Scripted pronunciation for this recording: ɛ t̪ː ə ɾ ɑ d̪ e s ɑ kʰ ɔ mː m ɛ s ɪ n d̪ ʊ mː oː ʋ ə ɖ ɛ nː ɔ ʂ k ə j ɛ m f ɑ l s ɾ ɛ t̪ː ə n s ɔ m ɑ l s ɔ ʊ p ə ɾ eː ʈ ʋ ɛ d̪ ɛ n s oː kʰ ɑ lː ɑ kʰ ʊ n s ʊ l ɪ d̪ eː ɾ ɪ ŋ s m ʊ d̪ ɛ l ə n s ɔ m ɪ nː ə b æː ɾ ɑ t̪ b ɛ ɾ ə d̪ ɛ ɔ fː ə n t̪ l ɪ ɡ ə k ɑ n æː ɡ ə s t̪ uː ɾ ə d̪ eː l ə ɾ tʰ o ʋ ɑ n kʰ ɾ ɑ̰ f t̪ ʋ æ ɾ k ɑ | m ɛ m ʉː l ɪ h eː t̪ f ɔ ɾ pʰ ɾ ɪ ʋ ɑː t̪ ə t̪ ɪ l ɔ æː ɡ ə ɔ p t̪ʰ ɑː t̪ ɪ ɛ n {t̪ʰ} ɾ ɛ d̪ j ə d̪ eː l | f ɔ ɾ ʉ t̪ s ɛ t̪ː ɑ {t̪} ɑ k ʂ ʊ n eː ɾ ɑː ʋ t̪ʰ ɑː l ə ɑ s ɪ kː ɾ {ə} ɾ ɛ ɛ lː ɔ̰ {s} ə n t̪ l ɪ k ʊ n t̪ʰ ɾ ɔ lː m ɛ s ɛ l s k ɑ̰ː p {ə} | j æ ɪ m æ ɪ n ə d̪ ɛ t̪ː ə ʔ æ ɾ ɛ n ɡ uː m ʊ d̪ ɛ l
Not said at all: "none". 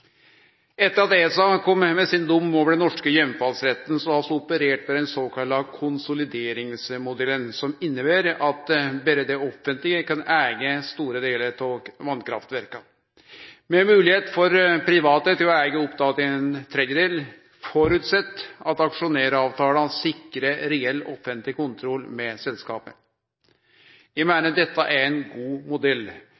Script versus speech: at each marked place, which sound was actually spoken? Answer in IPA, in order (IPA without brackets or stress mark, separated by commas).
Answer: t̪ʰ, t̪, ə, f, ə